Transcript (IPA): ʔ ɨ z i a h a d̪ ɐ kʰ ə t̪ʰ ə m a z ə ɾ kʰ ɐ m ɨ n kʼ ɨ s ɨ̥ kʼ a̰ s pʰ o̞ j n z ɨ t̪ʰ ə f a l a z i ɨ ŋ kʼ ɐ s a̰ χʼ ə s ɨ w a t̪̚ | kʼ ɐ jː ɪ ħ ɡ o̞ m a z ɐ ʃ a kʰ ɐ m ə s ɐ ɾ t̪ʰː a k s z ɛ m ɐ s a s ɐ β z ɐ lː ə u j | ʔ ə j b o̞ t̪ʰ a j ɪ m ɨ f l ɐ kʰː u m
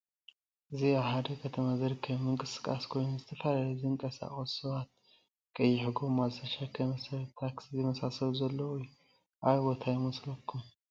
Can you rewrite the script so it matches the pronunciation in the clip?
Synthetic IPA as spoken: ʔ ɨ z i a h a d̪ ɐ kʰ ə t̪ʰ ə m a z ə ɾ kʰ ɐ m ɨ ŋ kʼ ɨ s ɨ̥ kʼ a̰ s kʰ o̞ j n z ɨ t̪ʰ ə f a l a z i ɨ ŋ kʼ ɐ s a̰ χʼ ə s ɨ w a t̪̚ | kʼ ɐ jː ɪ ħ ɡ o̞ m a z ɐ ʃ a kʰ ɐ m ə s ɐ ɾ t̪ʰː a k s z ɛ m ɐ s a s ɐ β z ɐ lː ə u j | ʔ a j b o̞ t̪ʰ a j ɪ m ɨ s l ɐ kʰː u m